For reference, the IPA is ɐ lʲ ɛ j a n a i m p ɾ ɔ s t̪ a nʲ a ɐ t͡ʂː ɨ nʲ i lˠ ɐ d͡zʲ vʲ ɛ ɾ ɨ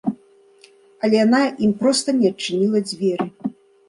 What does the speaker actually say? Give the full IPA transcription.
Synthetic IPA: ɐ lʲ ɛ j a n a i m p ɾ ɔ s t̪ ɐ nʲ ɛ ɐ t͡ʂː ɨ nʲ i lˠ ɐ d͡zʲ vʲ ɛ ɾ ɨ